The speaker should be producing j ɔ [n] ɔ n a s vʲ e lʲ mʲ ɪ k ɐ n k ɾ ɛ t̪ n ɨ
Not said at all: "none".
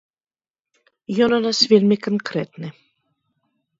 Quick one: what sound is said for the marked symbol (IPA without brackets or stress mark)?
n